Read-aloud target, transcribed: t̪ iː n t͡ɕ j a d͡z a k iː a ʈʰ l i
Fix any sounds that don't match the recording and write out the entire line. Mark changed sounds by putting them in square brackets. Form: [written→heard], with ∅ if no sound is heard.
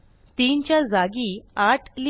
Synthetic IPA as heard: t̪ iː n t͡ɕ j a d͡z a [k→ɡ] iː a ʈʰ l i